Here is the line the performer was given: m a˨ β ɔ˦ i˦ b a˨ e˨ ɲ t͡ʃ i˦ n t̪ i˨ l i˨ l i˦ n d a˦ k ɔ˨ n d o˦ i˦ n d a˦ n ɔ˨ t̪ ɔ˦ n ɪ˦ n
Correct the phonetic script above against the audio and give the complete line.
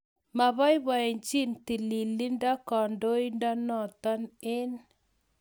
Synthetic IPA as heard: m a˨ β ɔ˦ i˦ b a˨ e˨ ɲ t͡ʃ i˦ n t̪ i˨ l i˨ l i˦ n d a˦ k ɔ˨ n d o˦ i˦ n d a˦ n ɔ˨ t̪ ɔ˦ n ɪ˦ n